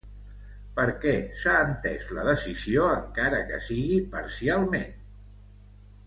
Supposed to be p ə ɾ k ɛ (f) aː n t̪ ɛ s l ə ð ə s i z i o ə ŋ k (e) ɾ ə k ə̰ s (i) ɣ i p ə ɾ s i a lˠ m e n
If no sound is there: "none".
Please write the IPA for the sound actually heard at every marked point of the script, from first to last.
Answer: s, a, i

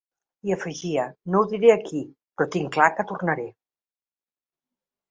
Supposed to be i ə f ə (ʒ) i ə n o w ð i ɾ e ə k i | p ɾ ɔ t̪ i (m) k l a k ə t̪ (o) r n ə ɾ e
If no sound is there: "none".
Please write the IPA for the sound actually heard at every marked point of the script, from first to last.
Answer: ʒ, ŋ, u

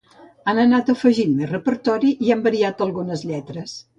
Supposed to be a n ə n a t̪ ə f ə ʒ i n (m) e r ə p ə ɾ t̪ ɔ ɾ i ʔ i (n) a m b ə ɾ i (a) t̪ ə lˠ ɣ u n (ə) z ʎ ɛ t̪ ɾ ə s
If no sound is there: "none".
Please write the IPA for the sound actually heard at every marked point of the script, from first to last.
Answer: m, none, a, ə

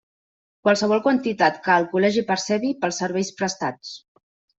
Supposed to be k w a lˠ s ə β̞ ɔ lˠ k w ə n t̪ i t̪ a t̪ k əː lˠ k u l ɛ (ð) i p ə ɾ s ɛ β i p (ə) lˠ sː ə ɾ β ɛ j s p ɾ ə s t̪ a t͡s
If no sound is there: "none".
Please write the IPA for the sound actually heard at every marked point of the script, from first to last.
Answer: ʒ, ə

